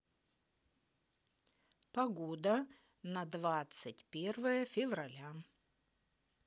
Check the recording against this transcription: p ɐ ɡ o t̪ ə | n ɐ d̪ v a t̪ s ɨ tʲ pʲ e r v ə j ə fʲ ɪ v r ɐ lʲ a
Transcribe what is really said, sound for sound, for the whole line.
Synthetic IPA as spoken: p ɐ ɡ o d̪ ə | n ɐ d̪ v a t̪ s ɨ tʲ pʲ e r v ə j ə fʲ ɪ v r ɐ lʲ a